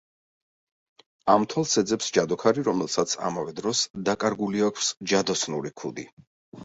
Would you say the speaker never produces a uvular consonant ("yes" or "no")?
yes